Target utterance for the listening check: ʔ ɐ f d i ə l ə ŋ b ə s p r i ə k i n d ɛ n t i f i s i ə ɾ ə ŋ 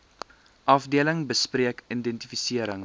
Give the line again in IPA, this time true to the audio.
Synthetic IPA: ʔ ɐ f d i ə l ə ŋ b ə s p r i ə k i n d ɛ n t i f i s i ə ɾ ə ŋ